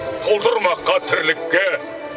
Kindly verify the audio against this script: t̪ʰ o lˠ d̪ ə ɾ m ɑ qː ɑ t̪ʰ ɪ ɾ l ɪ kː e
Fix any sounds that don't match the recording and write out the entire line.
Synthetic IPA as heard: t̪ʰ o lˠ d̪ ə ɾ m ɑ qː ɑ t̪ʰ ɪ ɾ l ɪ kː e